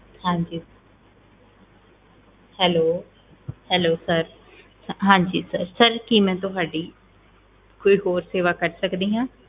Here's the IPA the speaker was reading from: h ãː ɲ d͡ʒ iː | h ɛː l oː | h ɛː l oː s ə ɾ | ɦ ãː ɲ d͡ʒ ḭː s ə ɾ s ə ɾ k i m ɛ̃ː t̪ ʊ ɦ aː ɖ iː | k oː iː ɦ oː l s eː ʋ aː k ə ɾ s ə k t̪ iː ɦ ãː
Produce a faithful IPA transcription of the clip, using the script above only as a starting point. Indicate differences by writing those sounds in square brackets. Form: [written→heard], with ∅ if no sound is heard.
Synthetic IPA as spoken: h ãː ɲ d͡ʒ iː | h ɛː l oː | h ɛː l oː s ə ɾ | ɦ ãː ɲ d͡ʒ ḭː s ə ɾ s ə ɾ k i m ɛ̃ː t̪ ʊ ɦ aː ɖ iː | k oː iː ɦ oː [l→ɾ] s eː ʋ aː k ə ɾ s ə k [t̪→d̪] iː ɦ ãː

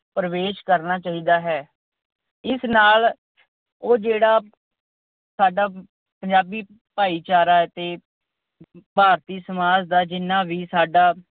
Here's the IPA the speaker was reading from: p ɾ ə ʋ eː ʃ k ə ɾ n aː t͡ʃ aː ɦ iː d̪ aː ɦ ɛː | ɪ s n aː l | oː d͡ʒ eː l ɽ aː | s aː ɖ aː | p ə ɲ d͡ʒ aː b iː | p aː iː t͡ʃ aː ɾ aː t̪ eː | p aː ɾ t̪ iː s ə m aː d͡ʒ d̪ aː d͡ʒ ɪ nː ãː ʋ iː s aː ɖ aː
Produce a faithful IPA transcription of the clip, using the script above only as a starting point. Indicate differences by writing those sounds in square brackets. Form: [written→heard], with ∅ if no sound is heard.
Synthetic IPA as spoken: p ɾ ə ʋ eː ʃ k ə ɾ n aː t͡ʃ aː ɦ iː d̪ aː ɦ ɛː | ɪ s n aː l | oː d͡ʒ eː [l→∅] ɽ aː | s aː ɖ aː | p ə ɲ d͡ʒ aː b iː | p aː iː t͡ʃ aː ɾ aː t̪ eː | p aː ɾ t̪ iː s ə m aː d͡ʒ d̪ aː d͡ʒ ɪ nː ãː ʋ iː s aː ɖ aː

